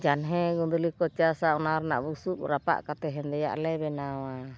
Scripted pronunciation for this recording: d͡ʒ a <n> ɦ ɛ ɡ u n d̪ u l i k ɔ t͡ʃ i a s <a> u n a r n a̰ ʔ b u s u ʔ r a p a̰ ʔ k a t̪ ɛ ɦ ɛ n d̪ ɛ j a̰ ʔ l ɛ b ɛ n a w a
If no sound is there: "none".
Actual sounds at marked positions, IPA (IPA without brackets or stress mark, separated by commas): n, a